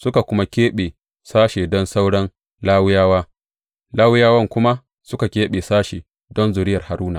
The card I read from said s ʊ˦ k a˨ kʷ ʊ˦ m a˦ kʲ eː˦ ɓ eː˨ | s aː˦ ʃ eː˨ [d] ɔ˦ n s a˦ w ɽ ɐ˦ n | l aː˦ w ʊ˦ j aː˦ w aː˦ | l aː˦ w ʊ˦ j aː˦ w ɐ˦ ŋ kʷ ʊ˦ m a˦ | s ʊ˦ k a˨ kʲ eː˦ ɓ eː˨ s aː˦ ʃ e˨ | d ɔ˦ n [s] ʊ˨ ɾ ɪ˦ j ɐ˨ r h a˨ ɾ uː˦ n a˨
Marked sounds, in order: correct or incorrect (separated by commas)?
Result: correct, incorrect